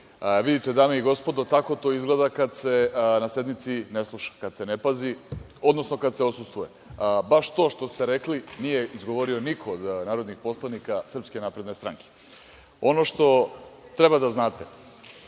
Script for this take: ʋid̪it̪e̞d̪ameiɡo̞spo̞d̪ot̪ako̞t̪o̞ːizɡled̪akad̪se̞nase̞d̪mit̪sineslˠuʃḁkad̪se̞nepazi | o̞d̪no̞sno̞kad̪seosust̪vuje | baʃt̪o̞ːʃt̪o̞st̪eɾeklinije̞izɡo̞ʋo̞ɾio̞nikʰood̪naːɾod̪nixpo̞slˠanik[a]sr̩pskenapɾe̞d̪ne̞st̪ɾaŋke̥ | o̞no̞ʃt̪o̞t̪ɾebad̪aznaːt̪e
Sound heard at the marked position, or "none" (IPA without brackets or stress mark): a